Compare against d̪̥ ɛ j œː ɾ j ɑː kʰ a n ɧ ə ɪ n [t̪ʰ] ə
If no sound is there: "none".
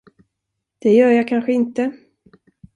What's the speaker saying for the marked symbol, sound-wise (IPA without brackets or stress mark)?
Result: t̪